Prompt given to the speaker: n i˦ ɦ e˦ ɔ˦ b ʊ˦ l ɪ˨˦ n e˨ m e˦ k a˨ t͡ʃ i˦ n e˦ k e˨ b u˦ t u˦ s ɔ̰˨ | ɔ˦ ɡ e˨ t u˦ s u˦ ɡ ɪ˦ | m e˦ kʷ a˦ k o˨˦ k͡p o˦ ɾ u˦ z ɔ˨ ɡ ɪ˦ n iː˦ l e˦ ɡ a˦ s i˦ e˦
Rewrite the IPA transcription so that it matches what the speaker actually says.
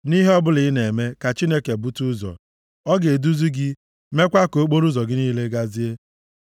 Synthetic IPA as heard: n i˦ ɦ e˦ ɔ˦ b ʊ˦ l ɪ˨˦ n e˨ m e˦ k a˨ t͡ʃ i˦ n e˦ k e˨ b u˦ t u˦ z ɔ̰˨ | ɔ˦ ɡ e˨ d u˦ z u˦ ɡ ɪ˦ | m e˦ kʷ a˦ k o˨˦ k͡p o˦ ɾ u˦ z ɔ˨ ɡ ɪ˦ n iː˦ l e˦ ɡ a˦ z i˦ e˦

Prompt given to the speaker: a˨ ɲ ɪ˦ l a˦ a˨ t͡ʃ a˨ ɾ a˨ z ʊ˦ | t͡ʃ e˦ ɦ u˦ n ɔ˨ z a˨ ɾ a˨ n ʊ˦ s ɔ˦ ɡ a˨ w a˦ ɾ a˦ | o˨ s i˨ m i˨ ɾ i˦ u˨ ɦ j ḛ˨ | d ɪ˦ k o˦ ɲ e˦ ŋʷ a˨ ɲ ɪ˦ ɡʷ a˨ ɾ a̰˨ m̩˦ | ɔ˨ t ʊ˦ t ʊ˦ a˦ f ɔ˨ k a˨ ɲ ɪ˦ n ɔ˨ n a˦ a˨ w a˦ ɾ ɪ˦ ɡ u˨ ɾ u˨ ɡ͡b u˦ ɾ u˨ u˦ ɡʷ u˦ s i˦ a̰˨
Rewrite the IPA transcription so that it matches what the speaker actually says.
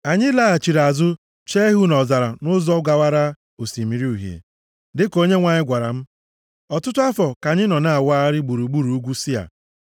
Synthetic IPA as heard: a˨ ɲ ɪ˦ l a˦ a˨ t͡ʃ i˨ ɾ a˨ z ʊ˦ | t͡ʃ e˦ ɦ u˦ n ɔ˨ z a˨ ɾ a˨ n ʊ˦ z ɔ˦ ɡ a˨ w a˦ ɾ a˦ | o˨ s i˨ m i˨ ɾ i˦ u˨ ɦ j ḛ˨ | d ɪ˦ k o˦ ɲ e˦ ŋʷ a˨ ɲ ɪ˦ ɡʷ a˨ ɾ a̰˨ m̩˦ | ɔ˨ t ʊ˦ t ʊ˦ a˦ f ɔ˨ k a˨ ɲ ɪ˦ n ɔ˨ n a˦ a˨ w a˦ ɾ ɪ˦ ɡ͡b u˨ ɾ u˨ ɡ͡b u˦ ɾ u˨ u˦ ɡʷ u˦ s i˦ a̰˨

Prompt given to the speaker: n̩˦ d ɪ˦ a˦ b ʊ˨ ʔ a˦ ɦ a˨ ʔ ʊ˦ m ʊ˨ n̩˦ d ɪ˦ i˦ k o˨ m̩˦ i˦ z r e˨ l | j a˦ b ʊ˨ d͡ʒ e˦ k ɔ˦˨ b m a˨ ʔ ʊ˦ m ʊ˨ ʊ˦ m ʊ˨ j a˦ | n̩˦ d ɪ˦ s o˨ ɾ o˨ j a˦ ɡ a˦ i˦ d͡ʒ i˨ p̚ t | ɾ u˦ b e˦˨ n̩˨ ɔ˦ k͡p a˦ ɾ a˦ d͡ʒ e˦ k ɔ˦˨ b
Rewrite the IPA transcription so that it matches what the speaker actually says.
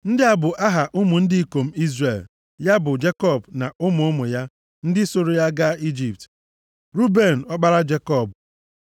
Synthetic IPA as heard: n̩˦ d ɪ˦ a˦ b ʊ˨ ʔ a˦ ɦ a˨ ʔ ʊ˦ m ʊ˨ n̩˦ d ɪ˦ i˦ k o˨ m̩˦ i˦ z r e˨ l | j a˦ b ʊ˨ d͡ʒ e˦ k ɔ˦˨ b n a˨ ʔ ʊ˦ m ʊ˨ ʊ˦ m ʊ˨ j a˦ | n̩˦ d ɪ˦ s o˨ ɾ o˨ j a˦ ɡ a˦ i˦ d͡ʒ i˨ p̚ t | ɾ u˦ b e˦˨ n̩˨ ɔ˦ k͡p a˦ ɾ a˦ d͡ʒ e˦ k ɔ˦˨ b

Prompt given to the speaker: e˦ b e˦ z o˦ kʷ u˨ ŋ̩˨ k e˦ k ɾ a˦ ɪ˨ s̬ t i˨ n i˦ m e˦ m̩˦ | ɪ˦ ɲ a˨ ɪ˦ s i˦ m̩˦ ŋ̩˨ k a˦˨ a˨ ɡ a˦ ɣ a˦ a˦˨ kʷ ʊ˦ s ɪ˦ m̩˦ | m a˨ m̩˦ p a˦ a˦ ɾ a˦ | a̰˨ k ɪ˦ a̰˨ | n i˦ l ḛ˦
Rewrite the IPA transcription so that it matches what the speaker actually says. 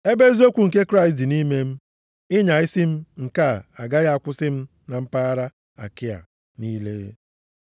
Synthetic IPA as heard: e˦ b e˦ z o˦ kʷ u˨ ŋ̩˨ k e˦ k ɾ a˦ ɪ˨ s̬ t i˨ n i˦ m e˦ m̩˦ | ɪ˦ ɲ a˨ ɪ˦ s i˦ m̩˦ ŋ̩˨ k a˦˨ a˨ ɡ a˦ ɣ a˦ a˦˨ kʷ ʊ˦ s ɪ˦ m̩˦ | n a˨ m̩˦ p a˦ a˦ ɾ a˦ | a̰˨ k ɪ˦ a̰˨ | n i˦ l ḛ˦

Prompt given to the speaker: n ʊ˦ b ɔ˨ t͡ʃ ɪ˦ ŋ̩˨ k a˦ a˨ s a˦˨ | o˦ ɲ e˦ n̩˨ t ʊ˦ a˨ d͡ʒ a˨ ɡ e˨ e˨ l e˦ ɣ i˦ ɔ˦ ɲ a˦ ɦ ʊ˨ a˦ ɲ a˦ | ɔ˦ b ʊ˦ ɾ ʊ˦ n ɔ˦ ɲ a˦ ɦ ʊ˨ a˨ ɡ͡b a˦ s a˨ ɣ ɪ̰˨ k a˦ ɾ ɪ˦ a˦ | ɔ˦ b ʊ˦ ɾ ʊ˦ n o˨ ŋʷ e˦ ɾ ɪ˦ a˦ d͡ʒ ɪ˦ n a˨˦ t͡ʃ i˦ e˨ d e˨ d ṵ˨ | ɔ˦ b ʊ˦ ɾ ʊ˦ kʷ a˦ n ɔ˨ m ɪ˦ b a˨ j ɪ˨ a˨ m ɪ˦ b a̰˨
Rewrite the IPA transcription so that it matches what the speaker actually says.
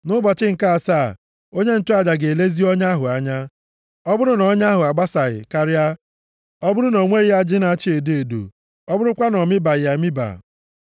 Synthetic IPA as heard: n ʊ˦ b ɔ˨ t͡ʃ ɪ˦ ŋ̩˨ k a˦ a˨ s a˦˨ | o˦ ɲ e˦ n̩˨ t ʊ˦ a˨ d͡ʒ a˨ ɡ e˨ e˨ l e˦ z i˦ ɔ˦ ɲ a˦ ɦ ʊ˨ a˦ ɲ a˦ | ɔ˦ b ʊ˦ ɾ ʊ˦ n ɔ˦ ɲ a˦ ɦ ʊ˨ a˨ ɡ͡b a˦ s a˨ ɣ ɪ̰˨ k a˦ ɾ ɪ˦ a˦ | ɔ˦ b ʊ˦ ɾ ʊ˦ n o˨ ŋʷ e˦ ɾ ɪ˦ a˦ d͡ʒ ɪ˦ n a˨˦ t͡ʃ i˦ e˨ d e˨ d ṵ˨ | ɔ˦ b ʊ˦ ɾ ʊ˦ kʷ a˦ n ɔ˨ m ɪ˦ b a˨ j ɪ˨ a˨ m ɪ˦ b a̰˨

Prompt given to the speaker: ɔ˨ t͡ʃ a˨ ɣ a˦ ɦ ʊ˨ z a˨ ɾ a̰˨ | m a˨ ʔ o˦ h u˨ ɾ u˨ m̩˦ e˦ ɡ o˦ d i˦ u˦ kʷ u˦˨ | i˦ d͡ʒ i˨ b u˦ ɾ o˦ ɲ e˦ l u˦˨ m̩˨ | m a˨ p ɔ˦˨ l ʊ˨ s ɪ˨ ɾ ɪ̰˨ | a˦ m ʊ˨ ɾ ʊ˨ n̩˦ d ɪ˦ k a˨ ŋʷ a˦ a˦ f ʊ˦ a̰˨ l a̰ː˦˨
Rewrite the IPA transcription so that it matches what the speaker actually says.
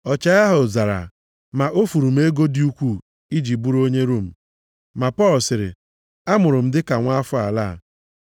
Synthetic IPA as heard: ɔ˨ t͡ʃ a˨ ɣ a˦ ɦ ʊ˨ z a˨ ɾ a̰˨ | m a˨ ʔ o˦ f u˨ ɾ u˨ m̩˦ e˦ ɡ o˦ d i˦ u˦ kʷ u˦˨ | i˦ d͡ʒ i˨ b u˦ ɾ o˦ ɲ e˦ ɾ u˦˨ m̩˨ | m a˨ p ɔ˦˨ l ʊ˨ s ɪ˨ ɾ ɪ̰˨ | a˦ m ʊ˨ ɾ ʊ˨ m̩˦ d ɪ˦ k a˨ ŋʷ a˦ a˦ f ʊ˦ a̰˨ l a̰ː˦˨

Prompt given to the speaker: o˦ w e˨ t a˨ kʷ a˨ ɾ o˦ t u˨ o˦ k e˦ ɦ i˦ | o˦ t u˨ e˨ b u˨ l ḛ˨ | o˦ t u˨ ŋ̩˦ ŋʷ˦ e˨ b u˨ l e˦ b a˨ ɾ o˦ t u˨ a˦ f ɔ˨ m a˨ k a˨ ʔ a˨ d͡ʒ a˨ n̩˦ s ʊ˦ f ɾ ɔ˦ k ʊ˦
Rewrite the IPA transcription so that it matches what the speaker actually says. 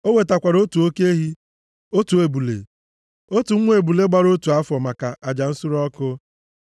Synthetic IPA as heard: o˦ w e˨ t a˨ kʷ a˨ ɾ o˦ t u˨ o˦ k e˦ ɦ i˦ | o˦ t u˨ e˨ b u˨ l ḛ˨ | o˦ t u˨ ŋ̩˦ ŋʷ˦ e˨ b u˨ l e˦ ɡ͡b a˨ ɾ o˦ t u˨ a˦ f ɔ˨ m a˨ k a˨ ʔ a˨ d͡ʒ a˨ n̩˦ s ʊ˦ ɾ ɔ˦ k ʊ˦

